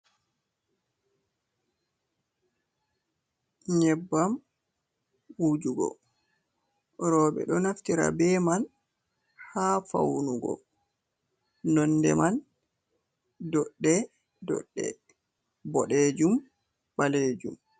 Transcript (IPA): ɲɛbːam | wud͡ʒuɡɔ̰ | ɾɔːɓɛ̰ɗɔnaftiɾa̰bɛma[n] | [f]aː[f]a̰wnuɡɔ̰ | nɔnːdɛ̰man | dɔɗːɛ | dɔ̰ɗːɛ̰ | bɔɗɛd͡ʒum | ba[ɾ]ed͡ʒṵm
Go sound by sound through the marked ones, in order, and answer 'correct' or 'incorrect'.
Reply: correct, incorrect, correct, incorrect

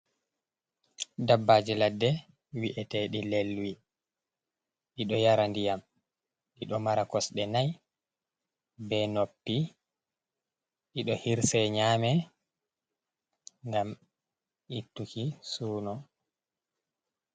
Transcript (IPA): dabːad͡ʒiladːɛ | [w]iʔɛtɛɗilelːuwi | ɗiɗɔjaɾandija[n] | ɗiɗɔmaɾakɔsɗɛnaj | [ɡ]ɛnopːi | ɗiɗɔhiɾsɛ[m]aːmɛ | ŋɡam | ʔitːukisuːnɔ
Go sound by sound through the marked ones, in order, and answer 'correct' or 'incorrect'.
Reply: correct, incorrect, incorrect, incorrect

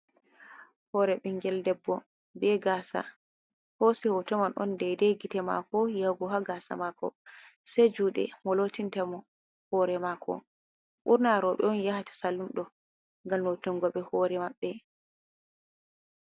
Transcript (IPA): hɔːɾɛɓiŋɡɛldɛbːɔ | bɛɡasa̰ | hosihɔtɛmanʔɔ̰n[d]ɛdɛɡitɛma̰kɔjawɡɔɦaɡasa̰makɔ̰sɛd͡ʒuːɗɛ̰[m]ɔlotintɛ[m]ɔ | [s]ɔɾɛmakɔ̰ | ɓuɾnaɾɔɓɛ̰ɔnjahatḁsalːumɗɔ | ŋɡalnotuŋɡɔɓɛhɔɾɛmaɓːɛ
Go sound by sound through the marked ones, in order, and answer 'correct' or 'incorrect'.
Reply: correct, correct, correct, incorrect

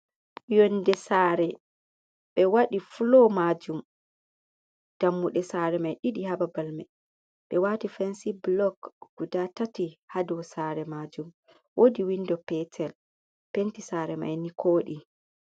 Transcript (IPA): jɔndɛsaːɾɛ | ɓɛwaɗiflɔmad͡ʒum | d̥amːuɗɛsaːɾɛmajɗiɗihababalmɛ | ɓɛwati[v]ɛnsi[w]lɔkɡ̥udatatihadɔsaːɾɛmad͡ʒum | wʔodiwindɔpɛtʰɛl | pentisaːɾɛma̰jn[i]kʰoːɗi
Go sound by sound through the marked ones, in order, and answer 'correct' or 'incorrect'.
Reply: incorrect, incorrect, correct

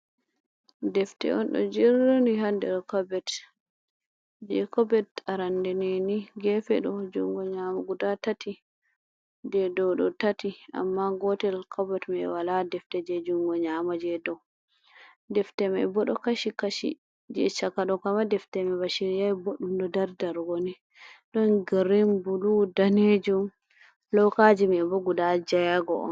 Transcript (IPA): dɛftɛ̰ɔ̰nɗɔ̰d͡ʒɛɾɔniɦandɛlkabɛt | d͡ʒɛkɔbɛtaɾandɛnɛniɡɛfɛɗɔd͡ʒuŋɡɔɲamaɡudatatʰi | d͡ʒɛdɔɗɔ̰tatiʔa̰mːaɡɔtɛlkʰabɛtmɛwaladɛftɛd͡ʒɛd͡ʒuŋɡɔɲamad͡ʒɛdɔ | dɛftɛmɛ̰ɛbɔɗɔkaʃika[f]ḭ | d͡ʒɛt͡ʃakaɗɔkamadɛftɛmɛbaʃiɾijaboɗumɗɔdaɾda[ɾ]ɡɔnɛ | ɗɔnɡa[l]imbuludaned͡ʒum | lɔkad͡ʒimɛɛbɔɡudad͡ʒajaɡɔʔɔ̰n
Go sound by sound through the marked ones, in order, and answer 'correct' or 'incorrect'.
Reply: incorrect, correct, incorrect

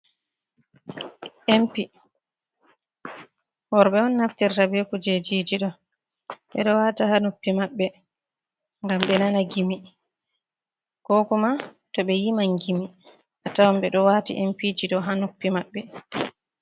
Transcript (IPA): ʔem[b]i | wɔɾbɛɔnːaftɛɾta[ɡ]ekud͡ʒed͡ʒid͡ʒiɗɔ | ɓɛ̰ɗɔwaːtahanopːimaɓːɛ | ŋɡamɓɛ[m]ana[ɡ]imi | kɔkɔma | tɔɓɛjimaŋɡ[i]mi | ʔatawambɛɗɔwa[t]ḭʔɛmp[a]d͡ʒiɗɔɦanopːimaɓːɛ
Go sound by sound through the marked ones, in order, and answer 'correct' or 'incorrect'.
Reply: incorrect, incorrect, incorrect, correct, correct, correct, incorrect

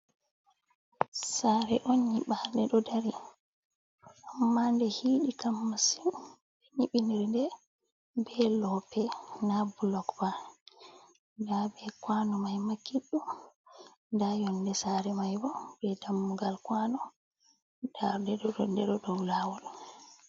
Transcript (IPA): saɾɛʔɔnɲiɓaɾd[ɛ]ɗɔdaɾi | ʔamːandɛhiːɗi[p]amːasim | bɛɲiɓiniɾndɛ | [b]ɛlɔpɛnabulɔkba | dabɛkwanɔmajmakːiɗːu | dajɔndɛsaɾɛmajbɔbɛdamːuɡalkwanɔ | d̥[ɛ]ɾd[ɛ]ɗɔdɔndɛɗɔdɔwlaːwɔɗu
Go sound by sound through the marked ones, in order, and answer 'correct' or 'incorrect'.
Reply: correct, incorrect, correct, incorrect, correct

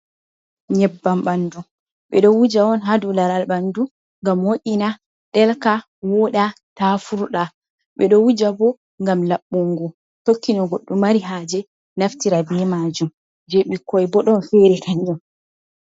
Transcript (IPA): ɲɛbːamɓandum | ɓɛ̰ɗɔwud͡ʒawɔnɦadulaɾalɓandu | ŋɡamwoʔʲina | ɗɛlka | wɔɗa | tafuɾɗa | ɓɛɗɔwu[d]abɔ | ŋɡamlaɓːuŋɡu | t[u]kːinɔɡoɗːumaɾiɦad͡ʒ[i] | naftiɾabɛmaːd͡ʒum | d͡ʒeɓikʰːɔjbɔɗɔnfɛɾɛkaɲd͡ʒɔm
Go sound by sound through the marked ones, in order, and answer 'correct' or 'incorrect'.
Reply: incorrect, incorrect, incorrect

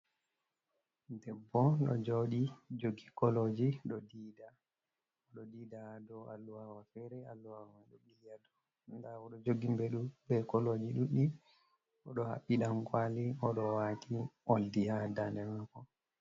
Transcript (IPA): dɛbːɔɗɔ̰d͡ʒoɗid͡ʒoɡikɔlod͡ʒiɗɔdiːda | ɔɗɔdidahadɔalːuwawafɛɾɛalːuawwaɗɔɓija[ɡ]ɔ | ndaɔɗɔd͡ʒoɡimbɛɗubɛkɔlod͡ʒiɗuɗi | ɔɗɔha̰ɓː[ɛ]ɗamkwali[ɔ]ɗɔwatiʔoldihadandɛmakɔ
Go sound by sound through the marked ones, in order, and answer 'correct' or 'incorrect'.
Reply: incorrect, incorrect, correct

